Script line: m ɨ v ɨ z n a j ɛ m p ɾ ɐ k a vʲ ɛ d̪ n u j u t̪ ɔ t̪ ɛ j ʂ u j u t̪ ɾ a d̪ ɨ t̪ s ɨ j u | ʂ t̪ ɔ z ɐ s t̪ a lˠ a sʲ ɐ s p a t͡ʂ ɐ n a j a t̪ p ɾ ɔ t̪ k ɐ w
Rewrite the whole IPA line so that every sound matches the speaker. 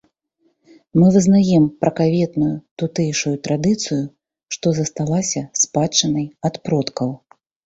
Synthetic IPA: m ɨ v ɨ z n a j ɛ m p ɾ ɐ k a vʲ ɛ t̪ n u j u t̪ u t̪ ɛ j ʂ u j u t̪ ɾ a d̪ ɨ t̪ s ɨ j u | ʂ t̪ ɔ z ɐ s t̪ a lˠ a sʲ ɐ s p a t͡ʂ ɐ n ɐ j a t̪ p ɾ ɔ t̪ k ɐ w